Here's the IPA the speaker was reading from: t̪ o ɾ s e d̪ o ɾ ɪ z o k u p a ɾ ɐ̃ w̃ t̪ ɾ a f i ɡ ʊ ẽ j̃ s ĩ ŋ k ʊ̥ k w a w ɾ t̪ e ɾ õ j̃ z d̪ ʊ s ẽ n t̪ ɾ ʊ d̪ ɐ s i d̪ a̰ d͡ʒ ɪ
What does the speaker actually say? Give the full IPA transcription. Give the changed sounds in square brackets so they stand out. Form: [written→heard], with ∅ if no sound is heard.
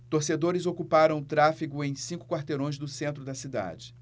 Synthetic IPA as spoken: t̪ o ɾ s e d̪ o ɾ ɪ z o k u p a ɾ ɐ̃ w̃ t̪ ɾ a f i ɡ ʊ ẽ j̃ s ĩ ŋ k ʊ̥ k w a [w→∅] ɾ t̪ e ɾ õ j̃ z d̪ ʊ s ẽ n t̪ ɾ ʊ d̪ ɐ s i d̪ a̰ d͡ʒ ɪ